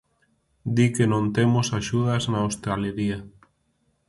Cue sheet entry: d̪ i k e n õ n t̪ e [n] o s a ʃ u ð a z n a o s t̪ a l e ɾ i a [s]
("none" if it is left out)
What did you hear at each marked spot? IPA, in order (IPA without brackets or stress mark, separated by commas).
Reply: m, none